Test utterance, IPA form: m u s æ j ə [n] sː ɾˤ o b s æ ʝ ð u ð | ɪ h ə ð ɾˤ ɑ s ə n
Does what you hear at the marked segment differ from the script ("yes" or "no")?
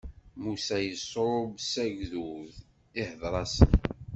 yes